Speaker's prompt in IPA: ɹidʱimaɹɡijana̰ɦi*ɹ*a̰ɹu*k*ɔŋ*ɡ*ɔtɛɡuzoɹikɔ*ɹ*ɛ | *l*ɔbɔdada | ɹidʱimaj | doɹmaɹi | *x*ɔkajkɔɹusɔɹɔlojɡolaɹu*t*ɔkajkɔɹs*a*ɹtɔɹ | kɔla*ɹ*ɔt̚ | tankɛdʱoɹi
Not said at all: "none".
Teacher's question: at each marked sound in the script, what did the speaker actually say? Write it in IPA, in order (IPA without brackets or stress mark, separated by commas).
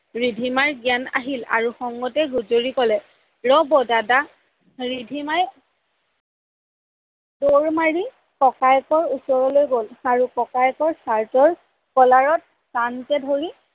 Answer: l, x, ɡ, l, ɹ, k, k, a, ɹ